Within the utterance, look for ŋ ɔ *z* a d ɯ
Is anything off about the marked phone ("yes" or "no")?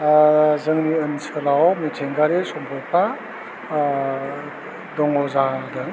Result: no